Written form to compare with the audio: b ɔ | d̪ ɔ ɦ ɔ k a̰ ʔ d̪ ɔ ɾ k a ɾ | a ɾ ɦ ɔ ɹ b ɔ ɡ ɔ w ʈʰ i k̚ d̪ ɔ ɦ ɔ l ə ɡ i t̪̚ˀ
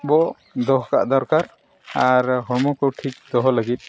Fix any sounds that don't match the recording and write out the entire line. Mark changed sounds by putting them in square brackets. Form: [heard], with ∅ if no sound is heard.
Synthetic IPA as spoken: b ɔ | d̪ ɔ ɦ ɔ k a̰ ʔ d̪ ɔ ɾ k a ɾ | a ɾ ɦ ɔ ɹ [m] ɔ [k] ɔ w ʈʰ i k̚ d̪ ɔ ɦ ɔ l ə ɡ i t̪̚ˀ